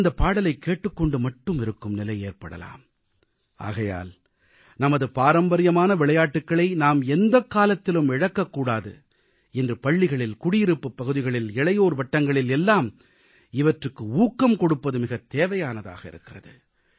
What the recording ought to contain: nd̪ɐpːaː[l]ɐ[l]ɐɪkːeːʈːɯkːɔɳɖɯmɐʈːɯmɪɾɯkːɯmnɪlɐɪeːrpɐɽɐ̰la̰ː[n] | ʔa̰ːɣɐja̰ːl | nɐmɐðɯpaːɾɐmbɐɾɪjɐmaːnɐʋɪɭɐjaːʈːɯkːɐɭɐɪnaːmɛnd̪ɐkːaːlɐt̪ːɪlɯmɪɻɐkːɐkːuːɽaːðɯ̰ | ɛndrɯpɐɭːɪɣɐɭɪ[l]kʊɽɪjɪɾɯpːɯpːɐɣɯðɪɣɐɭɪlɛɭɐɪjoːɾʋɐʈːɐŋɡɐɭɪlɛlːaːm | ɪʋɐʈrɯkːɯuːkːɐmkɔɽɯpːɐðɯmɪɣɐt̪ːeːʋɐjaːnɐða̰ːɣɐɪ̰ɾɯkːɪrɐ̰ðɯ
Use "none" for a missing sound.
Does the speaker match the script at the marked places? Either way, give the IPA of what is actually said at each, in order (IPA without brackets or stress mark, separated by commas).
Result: ɽ, l, m, l